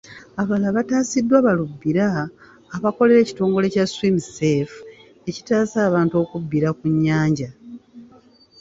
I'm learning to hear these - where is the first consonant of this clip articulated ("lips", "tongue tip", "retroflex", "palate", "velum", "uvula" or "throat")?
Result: lips